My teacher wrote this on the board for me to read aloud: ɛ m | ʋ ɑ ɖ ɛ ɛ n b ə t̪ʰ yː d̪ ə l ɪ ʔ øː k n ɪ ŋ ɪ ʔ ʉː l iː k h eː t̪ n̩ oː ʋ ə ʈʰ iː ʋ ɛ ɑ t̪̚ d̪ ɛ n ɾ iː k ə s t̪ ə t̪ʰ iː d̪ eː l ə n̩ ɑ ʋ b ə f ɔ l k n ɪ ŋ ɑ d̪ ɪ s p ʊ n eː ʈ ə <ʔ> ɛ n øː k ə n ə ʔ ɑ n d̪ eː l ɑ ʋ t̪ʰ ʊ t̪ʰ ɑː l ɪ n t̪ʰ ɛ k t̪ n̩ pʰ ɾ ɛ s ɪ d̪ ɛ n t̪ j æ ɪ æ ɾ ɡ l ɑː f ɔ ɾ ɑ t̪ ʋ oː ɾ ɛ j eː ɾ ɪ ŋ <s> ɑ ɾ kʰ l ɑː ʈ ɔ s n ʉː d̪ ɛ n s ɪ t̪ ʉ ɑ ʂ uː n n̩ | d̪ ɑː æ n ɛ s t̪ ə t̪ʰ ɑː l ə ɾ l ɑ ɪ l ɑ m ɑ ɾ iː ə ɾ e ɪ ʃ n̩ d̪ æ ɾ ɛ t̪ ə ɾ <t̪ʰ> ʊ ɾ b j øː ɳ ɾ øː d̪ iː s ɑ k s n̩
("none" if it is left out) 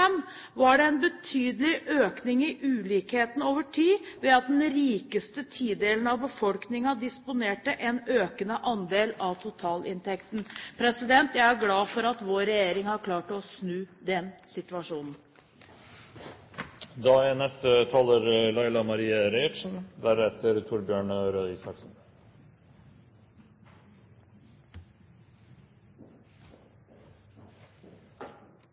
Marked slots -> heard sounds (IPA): ʔ, h, t̪ʰ

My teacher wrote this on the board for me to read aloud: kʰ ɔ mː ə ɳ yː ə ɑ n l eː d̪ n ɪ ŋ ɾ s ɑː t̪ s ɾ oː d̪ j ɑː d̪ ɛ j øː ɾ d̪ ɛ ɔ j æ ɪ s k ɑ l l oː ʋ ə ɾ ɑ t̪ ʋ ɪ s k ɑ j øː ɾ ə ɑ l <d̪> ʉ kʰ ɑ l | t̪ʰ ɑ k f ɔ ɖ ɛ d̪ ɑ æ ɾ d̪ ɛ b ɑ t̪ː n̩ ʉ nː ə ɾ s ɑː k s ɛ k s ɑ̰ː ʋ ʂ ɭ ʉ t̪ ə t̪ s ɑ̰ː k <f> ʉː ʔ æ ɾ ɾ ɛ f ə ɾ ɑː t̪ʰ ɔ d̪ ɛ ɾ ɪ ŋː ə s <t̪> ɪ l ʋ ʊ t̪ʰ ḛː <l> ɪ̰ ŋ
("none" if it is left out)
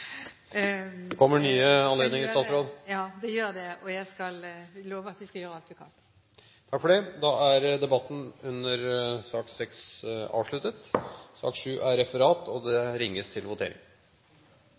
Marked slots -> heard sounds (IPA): t̪, ʂ, t̪ʰ, ɾ

